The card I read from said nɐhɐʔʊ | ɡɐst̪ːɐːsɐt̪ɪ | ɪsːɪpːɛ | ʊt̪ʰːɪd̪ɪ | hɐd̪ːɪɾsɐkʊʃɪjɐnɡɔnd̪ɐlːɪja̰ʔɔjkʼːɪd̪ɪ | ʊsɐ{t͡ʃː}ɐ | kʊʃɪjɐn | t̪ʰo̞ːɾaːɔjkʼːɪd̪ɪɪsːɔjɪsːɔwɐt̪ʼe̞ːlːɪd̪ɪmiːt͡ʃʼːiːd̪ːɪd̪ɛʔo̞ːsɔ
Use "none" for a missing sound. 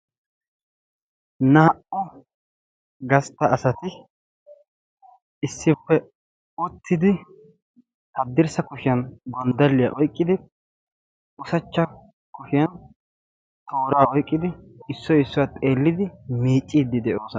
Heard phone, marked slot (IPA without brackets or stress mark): t͡ʃː